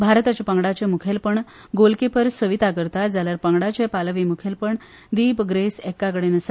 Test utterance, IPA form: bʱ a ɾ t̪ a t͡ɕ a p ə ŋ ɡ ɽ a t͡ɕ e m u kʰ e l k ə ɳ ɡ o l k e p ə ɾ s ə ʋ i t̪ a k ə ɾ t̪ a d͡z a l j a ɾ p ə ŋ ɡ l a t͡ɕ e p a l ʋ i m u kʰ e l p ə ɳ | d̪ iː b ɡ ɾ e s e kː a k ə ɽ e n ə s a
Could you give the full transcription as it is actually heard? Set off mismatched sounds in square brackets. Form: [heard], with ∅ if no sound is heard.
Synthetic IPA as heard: bʱ a ɾ t̪ a t͡ɕ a p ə ŋ ɡ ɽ a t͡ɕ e m u kʰ e l [p] ə ɳ ɡ o l k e p ə ɾ s ə ʋ i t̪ a k ə ɾ t̪ a d͡z a l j a ɾ p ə ŋ ɡ [ɽ] a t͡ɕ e p a l ʋ i m u kʰ e l p ə ɳ | d̪ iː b ɡ ɾ e s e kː a k ə ɽ e n ə s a